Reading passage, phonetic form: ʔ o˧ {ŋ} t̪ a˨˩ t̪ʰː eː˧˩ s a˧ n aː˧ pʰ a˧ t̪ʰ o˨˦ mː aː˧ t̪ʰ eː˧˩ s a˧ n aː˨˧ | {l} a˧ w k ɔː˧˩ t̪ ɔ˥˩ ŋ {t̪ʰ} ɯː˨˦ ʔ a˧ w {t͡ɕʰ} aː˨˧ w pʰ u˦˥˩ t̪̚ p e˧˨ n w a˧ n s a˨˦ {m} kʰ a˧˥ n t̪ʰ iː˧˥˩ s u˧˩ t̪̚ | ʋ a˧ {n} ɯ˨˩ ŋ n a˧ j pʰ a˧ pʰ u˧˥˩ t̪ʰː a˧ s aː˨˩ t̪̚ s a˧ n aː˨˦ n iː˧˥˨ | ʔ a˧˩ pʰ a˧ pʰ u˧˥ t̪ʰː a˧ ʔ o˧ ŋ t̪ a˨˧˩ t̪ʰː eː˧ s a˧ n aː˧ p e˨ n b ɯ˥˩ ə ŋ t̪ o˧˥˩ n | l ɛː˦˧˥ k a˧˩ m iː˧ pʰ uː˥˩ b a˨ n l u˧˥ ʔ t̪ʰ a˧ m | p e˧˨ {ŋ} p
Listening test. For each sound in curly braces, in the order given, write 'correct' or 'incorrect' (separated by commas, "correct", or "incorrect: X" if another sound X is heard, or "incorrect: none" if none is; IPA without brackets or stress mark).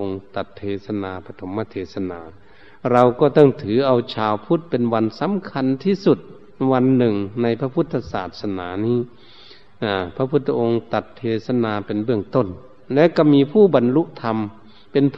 correct, incorrect: ɾ, correct, correct, correct, incorrect: nː, incorrect: n